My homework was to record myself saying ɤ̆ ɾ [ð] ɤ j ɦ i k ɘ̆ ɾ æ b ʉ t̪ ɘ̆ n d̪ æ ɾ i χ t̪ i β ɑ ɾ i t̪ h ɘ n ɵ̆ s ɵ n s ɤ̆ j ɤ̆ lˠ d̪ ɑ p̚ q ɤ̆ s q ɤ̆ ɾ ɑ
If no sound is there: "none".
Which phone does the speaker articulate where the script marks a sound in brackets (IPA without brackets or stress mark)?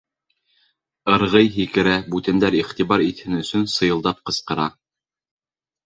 ʁ